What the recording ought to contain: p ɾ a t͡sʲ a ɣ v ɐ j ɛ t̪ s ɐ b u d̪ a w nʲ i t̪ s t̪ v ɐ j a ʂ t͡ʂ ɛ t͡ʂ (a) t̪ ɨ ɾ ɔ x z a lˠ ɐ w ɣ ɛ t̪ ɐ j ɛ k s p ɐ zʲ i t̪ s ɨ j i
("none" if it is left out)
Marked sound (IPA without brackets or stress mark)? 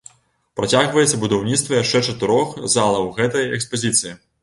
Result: ɐ